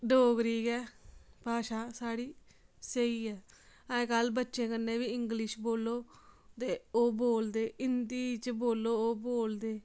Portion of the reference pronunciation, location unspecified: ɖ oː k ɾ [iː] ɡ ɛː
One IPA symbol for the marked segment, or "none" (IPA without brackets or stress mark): iː